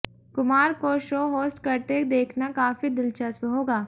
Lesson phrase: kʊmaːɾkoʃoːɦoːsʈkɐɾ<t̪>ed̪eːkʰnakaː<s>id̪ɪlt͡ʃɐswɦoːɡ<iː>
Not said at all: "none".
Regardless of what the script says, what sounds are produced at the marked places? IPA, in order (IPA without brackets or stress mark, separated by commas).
t̪, f, aː